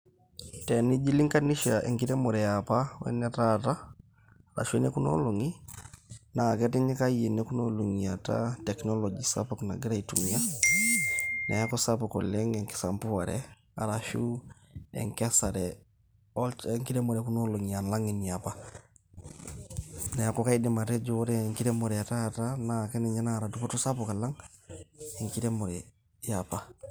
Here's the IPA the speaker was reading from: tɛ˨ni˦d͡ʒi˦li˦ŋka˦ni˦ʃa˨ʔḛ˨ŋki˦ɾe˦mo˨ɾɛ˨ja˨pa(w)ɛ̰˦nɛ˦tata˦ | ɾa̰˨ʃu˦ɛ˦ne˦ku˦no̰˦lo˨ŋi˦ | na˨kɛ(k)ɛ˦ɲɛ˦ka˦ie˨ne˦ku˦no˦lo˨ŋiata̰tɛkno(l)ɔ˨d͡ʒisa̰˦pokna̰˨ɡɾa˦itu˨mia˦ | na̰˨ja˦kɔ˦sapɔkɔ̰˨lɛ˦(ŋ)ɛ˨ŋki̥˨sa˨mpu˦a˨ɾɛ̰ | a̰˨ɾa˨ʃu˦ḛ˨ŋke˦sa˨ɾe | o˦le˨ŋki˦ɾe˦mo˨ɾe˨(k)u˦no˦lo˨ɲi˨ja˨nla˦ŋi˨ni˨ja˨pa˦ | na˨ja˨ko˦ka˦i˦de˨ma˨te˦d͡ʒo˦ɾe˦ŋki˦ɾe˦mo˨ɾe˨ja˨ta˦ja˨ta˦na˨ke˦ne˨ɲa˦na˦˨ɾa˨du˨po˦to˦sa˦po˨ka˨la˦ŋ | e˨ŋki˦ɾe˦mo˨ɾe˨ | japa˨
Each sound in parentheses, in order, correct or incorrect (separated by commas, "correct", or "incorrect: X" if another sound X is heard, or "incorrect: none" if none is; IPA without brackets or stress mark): correct, incorrect: t, correct, correct, correct